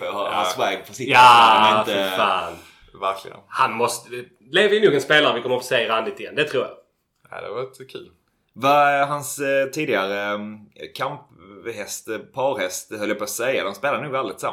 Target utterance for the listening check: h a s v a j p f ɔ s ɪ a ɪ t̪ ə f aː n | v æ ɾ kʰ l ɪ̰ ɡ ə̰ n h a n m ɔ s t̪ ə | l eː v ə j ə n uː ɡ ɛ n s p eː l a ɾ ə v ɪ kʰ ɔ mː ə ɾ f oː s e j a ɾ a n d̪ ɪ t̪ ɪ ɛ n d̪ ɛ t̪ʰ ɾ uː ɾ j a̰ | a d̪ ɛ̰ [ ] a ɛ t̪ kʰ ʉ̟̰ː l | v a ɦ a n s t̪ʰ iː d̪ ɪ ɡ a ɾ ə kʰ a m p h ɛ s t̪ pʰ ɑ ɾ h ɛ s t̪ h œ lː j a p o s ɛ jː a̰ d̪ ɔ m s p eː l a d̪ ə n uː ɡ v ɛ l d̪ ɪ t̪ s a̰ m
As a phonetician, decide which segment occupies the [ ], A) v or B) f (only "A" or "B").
A